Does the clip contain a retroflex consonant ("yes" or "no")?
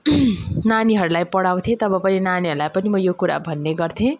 yes